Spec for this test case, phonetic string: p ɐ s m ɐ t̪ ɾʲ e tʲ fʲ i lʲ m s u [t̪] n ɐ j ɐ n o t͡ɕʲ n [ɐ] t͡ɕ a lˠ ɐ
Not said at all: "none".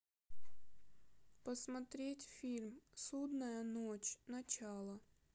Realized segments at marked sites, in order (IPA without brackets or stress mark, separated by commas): d̪, ɐ